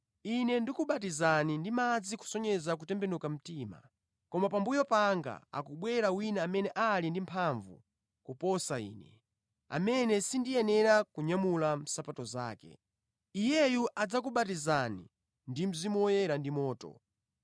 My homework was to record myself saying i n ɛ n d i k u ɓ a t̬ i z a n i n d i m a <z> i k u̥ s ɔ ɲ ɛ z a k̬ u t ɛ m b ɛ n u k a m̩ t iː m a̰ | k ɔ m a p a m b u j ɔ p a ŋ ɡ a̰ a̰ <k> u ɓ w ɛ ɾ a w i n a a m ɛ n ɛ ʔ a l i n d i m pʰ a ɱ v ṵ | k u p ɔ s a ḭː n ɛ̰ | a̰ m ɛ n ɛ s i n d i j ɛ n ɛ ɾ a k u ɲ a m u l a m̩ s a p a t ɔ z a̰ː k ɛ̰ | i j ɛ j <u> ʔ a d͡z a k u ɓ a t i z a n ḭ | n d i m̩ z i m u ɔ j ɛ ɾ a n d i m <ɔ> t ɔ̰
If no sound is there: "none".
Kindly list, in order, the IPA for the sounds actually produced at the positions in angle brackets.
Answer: d͡z, k, u, ɔː

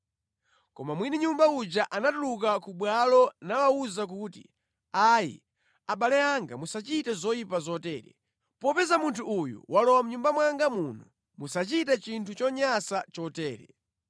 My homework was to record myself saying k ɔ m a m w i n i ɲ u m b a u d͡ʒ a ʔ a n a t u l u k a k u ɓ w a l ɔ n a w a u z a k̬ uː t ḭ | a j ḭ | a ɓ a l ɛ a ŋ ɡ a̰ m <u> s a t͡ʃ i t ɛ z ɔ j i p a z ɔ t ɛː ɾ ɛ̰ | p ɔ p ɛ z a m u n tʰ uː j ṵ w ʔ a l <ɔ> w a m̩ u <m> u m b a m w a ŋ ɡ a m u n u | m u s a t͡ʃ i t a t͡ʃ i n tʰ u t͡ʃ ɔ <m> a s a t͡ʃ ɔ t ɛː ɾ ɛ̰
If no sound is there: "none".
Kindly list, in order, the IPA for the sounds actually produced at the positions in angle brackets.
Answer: u, ɔ, ɲ, ɲ

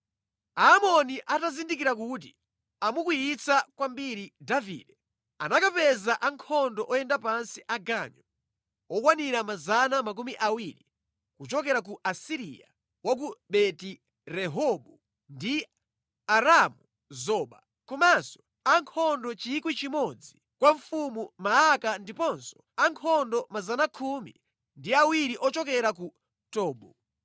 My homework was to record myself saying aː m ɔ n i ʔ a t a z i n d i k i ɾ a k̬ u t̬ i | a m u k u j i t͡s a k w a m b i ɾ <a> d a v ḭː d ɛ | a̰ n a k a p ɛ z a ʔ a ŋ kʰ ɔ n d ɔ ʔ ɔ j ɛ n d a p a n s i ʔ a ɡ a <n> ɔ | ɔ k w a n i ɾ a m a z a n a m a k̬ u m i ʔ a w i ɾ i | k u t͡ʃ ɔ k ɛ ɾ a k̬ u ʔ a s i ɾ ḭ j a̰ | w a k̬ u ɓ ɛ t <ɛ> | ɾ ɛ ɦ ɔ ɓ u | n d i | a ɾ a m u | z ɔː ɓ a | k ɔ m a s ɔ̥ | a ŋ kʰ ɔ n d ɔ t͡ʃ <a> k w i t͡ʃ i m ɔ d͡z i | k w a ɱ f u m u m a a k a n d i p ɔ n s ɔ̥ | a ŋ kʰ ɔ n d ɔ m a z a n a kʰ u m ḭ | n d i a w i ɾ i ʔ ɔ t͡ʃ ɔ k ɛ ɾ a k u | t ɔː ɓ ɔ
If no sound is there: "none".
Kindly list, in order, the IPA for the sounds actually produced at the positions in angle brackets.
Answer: i, ɲ, i, i

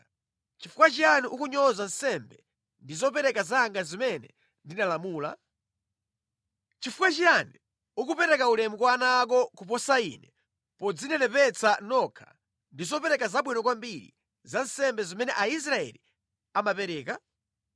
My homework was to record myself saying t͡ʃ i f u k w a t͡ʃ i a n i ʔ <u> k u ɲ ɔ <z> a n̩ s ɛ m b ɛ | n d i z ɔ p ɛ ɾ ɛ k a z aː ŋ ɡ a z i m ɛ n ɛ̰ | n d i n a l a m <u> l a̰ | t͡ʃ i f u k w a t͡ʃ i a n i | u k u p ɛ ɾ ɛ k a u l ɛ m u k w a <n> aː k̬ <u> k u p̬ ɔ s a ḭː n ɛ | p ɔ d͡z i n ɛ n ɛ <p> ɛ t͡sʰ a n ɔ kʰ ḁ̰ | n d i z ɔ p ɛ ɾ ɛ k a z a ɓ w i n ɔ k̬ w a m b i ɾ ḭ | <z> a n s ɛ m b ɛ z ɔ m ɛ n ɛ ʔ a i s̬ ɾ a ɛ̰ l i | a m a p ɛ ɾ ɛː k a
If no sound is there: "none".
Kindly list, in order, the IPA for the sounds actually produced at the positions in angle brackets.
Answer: u, z, uː, n, ɔ, p, z

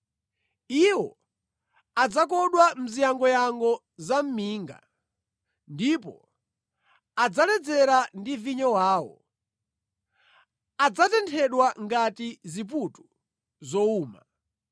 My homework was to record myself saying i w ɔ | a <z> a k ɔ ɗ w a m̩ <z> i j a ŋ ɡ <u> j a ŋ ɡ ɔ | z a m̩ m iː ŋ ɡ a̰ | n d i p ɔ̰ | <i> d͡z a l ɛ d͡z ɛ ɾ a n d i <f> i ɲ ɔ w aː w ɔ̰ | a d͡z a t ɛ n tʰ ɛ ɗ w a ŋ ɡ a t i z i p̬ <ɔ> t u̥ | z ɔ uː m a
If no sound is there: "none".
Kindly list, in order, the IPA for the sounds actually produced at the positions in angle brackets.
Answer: d͡z, z, ɔ, a, v, u

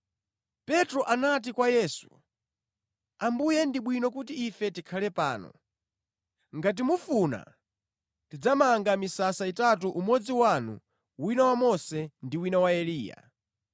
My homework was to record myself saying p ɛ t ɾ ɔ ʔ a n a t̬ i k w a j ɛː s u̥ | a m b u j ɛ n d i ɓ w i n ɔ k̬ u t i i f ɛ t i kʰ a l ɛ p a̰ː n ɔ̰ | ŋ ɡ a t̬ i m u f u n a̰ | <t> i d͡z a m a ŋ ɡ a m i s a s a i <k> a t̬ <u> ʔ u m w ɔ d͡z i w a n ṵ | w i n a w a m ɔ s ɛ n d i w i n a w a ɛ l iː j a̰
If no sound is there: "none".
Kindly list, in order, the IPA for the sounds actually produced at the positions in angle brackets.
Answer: t, t, u

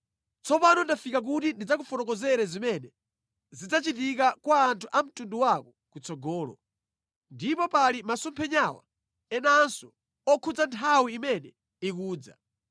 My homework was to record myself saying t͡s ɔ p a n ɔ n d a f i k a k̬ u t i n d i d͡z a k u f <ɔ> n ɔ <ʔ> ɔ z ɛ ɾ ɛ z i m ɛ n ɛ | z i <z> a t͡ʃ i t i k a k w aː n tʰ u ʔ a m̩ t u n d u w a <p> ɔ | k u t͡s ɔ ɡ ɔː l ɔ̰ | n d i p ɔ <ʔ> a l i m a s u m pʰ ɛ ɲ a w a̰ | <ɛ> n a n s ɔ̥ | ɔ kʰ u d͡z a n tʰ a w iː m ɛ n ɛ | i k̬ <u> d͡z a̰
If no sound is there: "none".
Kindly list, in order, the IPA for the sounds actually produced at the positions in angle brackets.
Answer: ɔ, k, d͡z, k, p, ɛ, uː

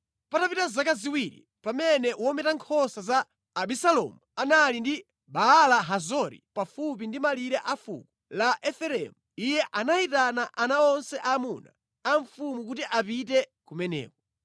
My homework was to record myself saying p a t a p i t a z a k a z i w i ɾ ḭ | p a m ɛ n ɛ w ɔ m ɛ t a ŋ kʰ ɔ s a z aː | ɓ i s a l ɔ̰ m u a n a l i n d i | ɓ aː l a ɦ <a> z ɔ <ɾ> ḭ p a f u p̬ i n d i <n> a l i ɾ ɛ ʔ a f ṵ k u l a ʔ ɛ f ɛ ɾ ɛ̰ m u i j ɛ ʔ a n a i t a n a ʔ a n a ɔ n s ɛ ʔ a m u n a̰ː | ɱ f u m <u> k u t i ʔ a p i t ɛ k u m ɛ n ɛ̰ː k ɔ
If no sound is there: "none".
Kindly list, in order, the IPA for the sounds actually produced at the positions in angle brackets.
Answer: a, ɾ, m, u

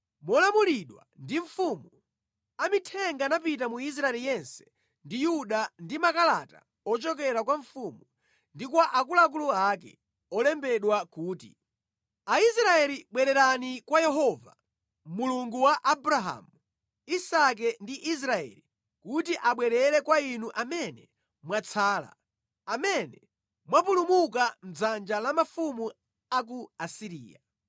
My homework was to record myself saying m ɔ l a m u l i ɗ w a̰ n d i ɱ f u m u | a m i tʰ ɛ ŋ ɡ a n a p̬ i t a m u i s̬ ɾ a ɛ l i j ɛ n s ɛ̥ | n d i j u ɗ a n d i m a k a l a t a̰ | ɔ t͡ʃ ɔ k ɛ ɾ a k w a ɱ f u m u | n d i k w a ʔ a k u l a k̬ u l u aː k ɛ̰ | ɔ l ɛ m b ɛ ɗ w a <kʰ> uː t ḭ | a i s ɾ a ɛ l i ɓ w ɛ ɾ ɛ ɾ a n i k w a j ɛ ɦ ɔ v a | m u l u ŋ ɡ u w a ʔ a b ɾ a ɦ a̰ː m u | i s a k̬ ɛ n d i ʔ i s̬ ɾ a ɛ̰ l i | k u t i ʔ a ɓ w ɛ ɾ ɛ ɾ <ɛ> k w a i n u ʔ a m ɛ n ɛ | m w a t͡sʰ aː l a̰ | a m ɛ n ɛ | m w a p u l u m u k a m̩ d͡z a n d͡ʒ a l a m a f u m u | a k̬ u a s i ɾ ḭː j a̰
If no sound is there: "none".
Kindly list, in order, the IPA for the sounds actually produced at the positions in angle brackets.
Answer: k, ɛ

